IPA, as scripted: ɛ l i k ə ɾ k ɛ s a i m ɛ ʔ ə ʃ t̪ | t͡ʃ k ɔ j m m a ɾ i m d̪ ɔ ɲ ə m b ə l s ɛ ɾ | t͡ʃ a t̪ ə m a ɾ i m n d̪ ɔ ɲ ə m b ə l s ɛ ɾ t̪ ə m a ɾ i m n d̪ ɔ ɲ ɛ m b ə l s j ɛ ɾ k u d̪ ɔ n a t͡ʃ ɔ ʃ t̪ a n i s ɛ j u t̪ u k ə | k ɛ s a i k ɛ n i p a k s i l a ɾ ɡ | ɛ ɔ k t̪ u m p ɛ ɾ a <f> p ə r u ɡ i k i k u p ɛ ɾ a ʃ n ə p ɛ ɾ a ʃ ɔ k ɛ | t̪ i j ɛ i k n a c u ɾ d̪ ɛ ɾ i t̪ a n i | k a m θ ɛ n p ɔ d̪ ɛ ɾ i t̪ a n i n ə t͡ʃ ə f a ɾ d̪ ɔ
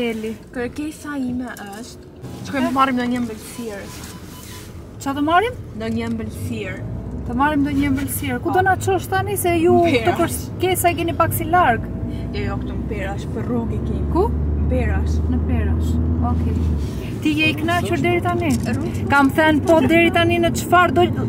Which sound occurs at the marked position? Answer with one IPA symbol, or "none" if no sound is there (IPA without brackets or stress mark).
ʃ